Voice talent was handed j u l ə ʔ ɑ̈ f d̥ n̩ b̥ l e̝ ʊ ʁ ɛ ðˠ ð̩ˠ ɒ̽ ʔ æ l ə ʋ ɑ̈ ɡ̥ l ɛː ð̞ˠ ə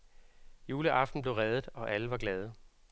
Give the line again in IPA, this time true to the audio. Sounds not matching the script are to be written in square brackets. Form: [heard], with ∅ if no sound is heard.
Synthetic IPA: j [uː] l ə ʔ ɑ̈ f d̥ n̩ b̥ l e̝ ʊ ʁ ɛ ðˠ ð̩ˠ ɒ̽ ʔ æ l ə ʋ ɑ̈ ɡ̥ l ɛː ð̞ˠ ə